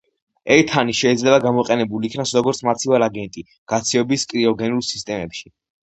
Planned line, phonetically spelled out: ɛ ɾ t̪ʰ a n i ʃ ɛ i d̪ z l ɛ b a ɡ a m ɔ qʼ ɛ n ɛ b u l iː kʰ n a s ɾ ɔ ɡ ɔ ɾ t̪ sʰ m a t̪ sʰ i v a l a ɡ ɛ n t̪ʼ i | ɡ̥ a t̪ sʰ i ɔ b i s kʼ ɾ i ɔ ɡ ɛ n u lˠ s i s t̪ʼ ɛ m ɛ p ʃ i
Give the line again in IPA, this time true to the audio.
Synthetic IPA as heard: ɛ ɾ t̪ʰ a n i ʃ ɛ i d̪ z l ɛ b a ɡ a m ɔ qʼ ɛ n ɛ b u l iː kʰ n a s ɾ ɔ ɡ ɔ ɾ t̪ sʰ m a t̪ sʰ i v a l a ɡ ɛ n t̪ʼ i | ɡ̥ a t̪ sʰ i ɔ b i s kʼ ɾ i ɔ ɡ ɛ n u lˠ s i s t̪ʼ ɛ m ɛ p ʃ i